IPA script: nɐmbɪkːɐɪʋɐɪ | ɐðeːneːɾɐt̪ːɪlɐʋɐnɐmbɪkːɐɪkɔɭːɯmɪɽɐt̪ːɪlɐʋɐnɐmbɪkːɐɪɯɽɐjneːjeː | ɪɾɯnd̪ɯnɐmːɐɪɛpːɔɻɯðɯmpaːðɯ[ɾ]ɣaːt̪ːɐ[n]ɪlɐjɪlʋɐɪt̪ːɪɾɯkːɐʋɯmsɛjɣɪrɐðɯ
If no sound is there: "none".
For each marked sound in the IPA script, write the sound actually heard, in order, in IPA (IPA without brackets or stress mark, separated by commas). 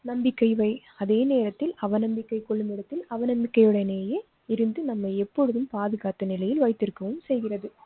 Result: none, n